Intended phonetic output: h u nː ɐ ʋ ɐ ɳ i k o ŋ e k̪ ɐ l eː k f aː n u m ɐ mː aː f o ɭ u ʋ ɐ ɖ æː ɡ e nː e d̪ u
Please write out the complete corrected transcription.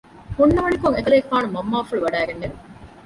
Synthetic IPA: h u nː ɐ ʋ ɐ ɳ i k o ŋ e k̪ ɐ l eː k f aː n u m ɐ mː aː f u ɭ u ʋ ɐ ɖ æː ɡ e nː e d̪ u